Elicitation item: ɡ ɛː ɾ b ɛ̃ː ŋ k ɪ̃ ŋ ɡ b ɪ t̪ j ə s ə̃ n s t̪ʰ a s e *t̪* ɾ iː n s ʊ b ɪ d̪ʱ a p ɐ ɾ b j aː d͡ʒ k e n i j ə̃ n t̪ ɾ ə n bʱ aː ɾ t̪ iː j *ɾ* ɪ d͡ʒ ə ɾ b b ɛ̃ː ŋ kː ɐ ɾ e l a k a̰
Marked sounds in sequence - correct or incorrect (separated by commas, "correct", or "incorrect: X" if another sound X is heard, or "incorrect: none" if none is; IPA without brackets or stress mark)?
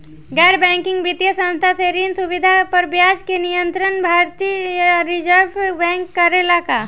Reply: incorrect: none, correct